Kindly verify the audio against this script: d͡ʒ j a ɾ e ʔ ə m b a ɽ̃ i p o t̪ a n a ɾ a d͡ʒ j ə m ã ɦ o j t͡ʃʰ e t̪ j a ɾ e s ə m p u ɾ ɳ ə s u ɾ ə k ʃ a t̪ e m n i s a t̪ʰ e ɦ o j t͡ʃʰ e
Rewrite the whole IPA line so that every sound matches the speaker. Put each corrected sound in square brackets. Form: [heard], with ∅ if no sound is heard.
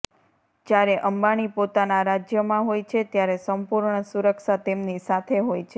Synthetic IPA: d͡ʒ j a ɾ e ʔ ə m b a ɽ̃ i p o t̪ a n a ɾ a d͡ʒ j ə m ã ɦ o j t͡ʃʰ e t̪ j a ɾ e s ə m p u ɾ ɳ ə s u ɾ ə k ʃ a t̪ e m n i s a t̪ʰ e ɦ o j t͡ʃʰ e